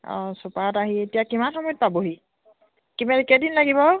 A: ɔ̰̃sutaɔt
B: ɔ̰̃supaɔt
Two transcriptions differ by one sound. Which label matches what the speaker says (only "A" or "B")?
B